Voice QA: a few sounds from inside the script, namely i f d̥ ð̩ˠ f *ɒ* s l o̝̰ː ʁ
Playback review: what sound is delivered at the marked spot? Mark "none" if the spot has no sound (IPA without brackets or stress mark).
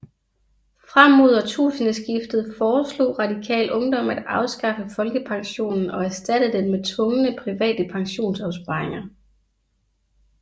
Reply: ɒː